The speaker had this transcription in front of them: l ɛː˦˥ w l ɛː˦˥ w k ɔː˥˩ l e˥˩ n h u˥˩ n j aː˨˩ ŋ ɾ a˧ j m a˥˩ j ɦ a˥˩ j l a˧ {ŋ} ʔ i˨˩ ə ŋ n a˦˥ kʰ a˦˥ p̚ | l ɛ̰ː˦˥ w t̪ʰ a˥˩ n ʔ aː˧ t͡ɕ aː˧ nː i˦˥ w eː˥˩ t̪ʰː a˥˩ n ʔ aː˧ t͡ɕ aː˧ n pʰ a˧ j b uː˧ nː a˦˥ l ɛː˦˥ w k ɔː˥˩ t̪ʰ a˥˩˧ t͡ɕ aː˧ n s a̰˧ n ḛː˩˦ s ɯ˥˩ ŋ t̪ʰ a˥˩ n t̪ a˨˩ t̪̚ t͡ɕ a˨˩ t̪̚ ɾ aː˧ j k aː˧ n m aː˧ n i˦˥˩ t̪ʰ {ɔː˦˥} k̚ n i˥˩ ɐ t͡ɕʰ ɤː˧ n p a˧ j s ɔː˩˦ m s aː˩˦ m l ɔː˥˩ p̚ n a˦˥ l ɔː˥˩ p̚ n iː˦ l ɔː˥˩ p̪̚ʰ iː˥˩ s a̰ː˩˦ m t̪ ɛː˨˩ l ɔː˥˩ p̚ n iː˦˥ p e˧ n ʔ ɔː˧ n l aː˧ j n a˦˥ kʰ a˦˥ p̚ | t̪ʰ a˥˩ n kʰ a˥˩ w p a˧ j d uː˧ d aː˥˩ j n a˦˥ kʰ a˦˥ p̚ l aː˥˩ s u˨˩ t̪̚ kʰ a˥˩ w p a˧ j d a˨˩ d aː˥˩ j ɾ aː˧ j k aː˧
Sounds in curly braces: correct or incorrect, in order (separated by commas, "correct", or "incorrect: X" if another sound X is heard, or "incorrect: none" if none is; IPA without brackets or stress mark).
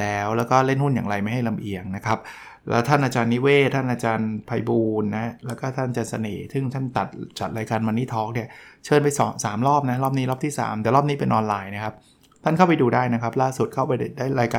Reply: incorrect: m, correct